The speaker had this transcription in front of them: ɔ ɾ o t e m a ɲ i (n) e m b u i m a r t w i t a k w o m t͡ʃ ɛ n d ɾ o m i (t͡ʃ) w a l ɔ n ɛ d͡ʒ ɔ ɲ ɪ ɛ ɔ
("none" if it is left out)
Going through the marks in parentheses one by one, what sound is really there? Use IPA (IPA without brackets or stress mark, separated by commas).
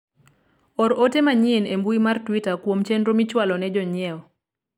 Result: n, t͡ʃ